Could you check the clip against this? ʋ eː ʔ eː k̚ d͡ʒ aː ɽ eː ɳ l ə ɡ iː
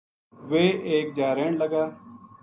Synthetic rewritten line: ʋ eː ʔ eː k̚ d͡ʒ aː ɾ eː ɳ l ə ɡ aː